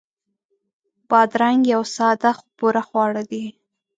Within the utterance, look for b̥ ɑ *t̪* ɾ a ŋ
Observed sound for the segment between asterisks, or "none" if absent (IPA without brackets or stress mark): d̪